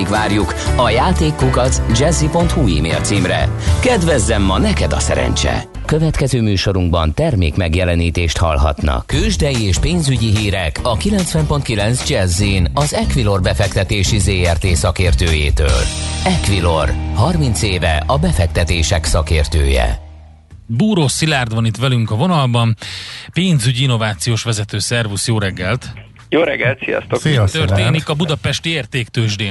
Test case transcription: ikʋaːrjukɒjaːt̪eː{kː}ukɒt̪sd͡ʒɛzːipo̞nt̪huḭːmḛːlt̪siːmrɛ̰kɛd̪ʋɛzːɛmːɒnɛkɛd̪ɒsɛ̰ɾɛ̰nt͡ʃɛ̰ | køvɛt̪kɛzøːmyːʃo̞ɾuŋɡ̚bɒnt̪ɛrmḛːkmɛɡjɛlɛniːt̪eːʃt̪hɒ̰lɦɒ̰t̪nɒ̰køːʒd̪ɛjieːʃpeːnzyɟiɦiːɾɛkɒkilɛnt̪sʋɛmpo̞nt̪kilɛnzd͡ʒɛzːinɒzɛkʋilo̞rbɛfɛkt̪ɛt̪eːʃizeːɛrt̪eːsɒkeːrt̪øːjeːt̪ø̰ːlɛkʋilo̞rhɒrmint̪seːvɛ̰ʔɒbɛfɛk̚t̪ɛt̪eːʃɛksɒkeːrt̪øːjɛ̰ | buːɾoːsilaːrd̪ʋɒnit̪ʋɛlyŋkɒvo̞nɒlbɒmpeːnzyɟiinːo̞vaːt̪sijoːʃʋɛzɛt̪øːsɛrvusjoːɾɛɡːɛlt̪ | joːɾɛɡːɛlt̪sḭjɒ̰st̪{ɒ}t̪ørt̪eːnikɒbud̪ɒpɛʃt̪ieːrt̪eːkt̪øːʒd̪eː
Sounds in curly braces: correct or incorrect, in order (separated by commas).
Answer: correct, incorrect